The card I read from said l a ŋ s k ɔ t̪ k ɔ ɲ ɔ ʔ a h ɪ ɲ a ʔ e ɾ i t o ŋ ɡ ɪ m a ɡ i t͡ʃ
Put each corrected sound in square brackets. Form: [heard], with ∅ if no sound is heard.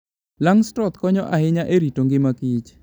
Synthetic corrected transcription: l a ŋ s [t] ɔ t̪ k ɔ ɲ ɔ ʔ a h ɪ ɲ a ʔ e ɾ i t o ŋ ɡ ɪ m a [k] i t͡ʃ